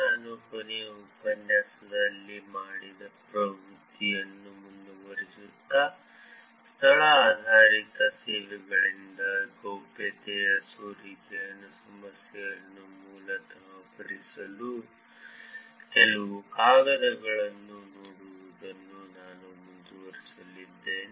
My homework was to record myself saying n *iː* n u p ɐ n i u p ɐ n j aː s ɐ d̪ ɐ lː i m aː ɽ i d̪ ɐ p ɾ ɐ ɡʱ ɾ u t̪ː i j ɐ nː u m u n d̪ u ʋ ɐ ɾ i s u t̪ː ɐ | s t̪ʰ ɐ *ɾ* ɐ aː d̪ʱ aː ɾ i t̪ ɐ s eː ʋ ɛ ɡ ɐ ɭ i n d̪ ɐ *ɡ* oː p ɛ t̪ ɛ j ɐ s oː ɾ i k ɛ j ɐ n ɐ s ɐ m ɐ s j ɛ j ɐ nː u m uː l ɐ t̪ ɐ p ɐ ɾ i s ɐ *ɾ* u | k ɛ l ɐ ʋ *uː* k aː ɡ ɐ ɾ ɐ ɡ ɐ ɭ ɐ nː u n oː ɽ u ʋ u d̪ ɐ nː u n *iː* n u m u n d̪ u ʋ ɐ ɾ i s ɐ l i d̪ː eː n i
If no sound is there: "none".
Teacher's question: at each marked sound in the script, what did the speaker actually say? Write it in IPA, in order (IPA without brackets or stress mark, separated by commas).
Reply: aː, ɭ, ɡ, l, u, aː